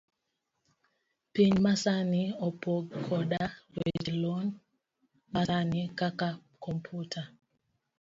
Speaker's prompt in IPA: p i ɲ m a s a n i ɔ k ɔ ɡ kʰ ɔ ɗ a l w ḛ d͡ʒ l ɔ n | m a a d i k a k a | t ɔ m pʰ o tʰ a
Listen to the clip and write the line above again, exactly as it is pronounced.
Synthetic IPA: p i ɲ m a s a n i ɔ p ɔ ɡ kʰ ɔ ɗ a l w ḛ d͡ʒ l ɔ n | m a a n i k a k a | k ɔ m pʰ u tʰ a